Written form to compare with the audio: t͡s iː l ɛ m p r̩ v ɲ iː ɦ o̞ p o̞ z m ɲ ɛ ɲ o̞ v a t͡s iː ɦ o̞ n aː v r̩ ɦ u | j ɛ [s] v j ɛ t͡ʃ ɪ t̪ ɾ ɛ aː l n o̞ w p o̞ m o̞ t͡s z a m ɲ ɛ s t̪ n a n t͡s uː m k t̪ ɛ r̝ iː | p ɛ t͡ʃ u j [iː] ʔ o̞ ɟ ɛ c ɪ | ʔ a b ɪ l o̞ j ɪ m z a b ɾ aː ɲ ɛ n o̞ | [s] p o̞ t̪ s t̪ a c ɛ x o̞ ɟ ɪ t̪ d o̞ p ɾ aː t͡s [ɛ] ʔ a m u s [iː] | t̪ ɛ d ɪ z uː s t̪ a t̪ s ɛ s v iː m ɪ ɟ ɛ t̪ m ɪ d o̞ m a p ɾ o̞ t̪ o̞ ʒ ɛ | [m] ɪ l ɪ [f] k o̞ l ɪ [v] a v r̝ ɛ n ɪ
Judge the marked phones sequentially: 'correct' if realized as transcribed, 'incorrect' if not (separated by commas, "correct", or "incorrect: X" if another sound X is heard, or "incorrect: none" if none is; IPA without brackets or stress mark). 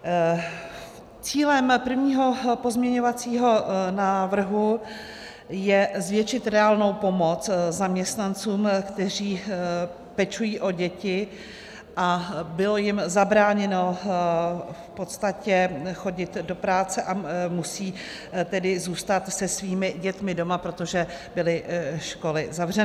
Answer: incorrect: z, correct, incorrect: f, correct, correct, incorrect: b, incorrect: ʃ, incorrect: z